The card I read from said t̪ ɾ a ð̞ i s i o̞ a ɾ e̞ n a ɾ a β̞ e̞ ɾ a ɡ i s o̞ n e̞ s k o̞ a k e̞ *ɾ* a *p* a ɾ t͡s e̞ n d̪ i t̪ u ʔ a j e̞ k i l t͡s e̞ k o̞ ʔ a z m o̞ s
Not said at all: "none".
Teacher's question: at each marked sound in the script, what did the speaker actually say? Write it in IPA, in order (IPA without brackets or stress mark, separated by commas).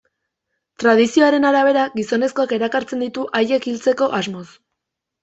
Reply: ɾ, k